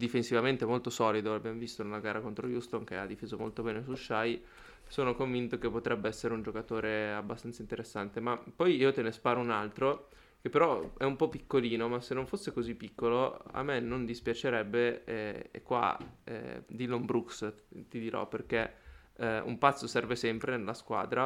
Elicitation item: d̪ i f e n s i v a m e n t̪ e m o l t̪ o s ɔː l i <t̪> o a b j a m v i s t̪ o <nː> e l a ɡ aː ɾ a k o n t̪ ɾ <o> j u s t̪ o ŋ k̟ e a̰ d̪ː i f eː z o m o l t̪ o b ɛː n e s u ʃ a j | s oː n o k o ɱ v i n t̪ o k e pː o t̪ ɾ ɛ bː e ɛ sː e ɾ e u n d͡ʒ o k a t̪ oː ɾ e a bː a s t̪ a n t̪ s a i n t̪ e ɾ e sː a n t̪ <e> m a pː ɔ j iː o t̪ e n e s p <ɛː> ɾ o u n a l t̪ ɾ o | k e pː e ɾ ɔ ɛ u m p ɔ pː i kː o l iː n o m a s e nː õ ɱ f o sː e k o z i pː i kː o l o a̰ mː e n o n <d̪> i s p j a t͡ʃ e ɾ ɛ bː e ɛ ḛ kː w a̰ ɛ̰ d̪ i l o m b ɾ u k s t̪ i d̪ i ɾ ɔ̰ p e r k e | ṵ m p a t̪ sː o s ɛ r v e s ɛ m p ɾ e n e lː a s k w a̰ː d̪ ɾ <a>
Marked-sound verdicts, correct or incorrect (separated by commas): incorrect, incorrect, correct, correct, incorrect, correct, correct